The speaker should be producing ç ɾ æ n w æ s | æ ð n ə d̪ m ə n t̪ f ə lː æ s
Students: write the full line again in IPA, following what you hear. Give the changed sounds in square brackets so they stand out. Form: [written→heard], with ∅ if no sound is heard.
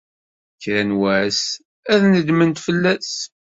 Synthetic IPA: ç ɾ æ n w æ s | æ ð n ə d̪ m ə n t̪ f ə lː æ s